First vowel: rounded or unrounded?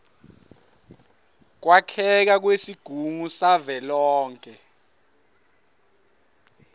unrounded